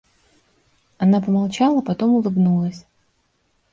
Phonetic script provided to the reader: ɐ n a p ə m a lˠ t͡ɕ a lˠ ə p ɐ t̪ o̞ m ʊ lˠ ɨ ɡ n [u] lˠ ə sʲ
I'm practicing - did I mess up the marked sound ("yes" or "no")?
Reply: no